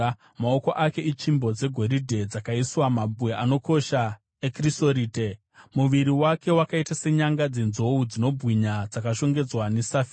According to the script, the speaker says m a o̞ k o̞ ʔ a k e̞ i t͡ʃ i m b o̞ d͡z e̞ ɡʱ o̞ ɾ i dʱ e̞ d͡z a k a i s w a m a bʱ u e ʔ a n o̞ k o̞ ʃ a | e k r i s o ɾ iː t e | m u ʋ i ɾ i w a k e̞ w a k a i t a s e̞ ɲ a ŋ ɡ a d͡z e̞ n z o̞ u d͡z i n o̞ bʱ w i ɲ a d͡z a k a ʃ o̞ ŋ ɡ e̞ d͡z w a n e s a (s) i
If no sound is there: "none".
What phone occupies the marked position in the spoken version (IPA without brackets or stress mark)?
f